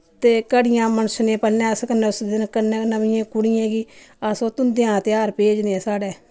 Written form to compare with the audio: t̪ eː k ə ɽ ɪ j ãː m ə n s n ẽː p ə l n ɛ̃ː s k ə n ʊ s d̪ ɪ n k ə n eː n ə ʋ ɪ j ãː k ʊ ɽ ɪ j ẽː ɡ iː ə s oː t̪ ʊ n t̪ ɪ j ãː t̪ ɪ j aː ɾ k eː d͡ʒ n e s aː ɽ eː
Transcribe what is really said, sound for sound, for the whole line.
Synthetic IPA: t̪ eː k ə ɽ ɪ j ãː m ə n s n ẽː p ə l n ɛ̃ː s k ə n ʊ s d̪ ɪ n k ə n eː n ə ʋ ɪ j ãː k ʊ ɽ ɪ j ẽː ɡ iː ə s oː t̪ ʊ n d̪ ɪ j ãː t̪ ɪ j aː ɾ p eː d͡ʒ n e s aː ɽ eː

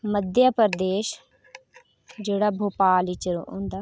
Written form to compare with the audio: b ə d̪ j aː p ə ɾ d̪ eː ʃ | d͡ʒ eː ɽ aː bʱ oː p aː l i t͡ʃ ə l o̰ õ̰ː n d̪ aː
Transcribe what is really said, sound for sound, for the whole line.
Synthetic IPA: m ə d̪ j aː p ə ɾ d̪ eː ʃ | d͡ʒ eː ɽ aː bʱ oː p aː l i t͡ʃ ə ɾ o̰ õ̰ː n d̪ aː

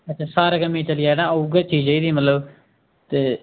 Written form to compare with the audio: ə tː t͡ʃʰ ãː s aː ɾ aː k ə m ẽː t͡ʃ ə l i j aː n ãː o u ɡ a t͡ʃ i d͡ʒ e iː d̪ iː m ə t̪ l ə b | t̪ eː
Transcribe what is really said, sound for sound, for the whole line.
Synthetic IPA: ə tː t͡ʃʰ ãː s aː ɾ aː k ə m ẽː t͡ʃ ə l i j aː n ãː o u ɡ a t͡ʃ iː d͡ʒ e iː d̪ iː m ə t̪ l ə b | t̪ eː

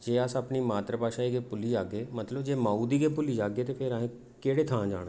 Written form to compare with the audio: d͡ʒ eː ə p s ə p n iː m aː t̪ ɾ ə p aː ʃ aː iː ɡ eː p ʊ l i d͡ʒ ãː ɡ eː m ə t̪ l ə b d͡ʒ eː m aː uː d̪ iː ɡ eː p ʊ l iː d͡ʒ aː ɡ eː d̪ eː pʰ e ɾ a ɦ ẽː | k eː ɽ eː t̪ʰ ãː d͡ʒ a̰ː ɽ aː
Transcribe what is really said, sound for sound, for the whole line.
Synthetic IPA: d͡ʒ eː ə s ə p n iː m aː t̪ ɾ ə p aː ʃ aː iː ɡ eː p ʊ l i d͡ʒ aː ɡ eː m ə t̪ l ə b d͡ʒ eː m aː uː d̪ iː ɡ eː p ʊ l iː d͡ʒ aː ɡ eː t̪ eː pʰ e ɾ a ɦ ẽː | k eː ɽ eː t̪ʰ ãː d͡ʒ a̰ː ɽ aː

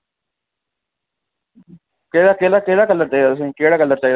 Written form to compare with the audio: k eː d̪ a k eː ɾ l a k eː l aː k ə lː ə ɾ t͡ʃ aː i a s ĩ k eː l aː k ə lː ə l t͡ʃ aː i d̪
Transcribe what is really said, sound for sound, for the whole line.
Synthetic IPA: k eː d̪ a k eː l a k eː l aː k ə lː ə ɾ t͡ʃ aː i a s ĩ k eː ɽ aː k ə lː ə ɾ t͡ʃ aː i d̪

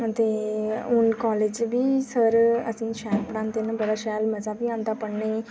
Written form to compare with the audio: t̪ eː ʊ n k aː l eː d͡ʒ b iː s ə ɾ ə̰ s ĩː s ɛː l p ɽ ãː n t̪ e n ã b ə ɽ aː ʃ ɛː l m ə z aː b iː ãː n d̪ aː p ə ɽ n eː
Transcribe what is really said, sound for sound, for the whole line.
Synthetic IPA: t̪ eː ʊ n k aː l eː d͡ʒ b iː s ə ɾ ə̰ s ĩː ʃ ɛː l p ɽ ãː n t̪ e n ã b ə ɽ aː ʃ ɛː l m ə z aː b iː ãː n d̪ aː p ə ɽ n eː

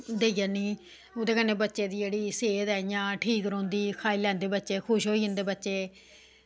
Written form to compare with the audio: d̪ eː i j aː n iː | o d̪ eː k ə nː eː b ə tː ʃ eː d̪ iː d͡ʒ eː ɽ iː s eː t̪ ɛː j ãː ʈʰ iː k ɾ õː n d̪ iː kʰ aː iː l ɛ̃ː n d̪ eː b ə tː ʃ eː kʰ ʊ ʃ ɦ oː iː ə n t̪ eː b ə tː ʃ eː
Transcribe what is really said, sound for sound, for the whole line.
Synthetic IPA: d̪ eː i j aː n iː | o d̪ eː k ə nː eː b ə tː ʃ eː d̪ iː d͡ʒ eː ɽ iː s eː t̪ ɛː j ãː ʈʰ iː k ɾ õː n d̪ iː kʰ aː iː l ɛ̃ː n d̪ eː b ə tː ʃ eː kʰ ʊ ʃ ɦ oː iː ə n d̪ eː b ə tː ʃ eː

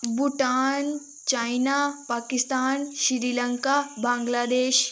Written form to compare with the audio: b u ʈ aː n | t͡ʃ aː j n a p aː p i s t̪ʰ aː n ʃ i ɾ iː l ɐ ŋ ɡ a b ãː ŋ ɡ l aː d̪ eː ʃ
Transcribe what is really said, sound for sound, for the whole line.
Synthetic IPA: b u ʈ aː n | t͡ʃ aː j n a p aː k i s t̪ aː n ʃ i ɾ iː l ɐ ŋ k a b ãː ŋ ɡ l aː d̪ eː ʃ

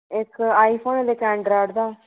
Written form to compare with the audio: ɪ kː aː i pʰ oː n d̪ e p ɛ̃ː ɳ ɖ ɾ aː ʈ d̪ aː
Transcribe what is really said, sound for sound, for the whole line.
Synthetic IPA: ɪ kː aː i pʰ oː n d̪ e k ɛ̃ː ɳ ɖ ɾ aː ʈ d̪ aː

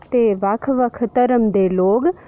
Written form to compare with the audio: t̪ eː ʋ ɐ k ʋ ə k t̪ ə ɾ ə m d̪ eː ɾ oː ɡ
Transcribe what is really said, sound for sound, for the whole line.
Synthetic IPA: t̪ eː ʋ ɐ kʰ ʋ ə kʰ t̪ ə ɾ ə m d̪ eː l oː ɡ

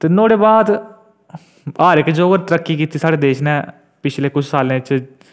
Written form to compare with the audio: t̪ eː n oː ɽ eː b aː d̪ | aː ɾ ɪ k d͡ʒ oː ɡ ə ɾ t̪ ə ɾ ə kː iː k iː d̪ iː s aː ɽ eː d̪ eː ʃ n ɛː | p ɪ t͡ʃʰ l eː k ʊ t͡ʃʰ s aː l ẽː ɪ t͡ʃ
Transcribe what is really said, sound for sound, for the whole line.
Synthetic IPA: t̪ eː n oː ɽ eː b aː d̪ | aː ɾ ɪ k d͡ʒ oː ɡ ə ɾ t̪ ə ɾ ə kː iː k iː t̪ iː s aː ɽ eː d̪ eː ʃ n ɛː | p ɪ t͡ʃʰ l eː k ʊ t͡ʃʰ s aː l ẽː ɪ t͡ʃ

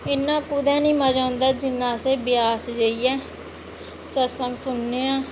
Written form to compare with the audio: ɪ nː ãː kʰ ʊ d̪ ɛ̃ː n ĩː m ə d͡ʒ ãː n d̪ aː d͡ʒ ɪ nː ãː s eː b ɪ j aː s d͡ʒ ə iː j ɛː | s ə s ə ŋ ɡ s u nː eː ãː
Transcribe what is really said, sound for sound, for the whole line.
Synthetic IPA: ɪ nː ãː k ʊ d̪ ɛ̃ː n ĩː m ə d͡ʒ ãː n d̪ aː d͡ʒ ɪ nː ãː s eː b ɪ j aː s d͡ʒ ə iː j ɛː | s ə s ə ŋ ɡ s ʊ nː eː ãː

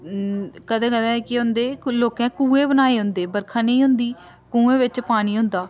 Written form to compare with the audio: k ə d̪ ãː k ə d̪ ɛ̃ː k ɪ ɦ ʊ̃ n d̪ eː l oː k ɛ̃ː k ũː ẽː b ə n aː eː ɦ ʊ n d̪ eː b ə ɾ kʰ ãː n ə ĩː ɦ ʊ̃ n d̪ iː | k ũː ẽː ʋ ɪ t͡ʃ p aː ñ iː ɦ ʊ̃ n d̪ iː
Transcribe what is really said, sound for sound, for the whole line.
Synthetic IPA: k ə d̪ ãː k ə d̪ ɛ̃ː k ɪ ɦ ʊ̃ n d̪ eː l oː k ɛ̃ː k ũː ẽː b ə n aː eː ɦ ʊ n d̪ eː b ə ɾ kʰ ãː n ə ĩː ɦ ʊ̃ n d̪ iː | k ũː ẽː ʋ ɪ t͡ʃ p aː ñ iː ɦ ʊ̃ n d̪ aː

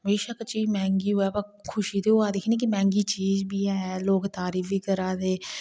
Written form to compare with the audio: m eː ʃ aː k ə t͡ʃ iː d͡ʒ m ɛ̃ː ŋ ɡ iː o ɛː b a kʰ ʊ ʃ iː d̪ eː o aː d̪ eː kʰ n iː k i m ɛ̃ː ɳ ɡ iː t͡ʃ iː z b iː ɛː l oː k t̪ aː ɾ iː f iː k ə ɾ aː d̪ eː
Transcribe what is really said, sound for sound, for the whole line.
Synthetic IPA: m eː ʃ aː k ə t͡ʃ iː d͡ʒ m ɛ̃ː ŋ ɡ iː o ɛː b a kʰ ʊ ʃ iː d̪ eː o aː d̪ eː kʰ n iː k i m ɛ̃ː ŋ ɡ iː t͡ʃ iː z b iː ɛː l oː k t̪ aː ɾ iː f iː k ə ɾ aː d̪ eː

